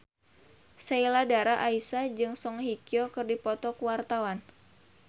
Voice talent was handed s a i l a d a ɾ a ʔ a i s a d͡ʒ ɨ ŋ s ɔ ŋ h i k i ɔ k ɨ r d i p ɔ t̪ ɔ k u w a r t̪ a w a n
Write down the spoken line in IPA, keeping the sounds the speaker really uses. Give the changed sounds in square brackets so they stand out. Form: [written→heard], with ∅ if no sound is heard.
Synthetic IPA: s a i l a d a ɾ a ʔ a i s a d͡ʒ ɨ ŋ s ɔ ŋ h i k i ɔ k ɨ r d i p ɔ t̪ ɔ k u w a r t̪ a w a n